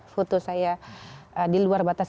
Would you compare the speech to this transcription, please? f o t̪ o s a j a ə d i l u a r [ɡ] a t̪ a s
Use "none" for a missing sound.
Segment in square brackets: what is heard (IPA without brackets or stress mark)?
b